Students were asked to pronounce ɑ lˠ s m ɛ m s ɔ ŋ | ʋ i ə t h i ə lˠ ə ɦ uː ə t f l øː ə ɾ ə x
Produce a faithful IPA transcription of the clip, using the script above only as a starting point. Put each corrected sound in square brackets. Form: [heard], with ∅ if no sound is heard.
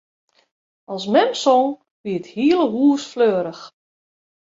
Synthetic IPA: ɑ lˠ s m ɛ m s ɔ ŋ | ʋ i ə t h i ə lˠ ə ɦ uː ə [s] f l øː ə ɾ ə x